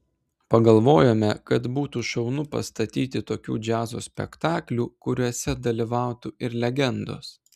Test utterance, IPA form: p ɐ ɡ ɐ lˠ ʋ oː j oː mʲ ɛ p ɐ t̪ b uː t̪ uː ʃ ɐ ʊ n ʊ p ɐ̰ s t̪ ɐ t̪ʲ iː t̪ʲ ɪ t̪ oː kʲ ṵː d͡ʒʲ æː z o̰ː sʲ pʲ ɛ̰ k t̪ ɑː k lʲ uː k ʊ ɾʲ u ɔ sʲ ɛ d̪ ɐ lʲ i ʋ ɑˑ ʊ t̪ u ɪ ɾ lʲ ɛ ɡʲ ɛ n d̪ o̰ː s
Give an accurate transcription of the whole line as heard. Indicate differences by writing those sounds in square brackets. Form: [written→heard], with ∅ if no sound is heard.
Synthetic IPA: p ɐ ɡ ɐ lˠ ʋ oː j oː mʲ ɛ [p→k] ɐ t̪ b uː t̪ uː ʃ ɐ ʊ n ʊ p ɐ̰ s t̪ ɐ t̪ʲ iː t̪ʲ ɪ t̪ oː kʲ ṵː d͡ʒʲ æː z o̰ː sʲ pʲ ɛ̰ k t̪ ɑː k lʲ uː k ʊ ɾʲ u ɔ sʲ ɛ d̪ ɐ lʲ i ʋ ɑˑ ʊ t̪ u ɪ ɾ lʲ ɛ ɡʲ ɛ n d̪ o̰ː s